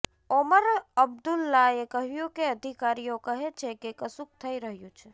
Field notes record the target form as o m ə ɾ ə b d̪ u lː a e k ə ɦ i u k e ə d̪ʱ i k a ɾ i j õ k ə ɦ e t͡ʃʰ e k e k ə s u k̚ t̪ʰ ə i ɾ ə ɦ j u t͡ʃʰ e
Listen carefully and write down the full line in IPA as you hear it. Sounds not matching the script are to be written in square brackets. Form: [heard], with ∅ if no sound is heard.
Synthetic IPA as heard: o m ə ɾ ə b d̪ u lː a e k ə ɦ [j] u k e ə d̪ʱ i k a ɾ i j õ k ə ɦ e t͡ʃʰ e k e k ə s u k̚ t̪ʰ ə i ɾ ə ɦ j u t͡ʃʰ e